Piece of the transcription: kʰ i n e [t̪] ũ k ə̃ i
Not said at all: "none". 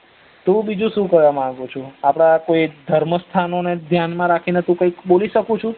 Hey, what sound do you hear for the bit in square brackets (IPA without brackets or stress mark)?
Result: t̪